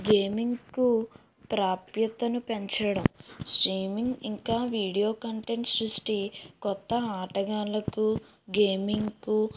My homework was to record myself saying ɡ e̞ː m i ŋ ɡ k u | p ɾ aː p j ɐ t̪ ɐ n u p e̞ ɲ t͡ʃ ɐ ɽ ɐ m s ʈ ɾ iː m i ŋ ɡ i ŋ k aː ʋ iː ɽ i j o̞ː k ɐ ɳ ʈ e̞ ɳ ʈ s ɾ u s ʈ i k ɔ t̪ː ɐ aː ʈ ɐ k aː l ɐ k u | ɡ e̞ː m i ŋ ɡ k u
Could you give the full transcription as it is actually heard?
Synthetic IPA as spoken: ɡ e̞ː m i ŋ ɡ k u | p ɾ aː p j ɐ t̪ ɐ n u p e̞ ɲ t͡ʃ ɐ ɽ ɐ m s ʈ ɾ iː m i ŋ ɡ i ŋ k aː ʋ iː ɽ i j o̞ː k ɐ ɳ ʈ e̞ ɳ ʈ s ɾ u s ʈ i k ɔ t̪ː ɐ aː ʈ ɐ ɡ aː l ɐ k u | ɡ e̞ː m i ŋ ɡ k u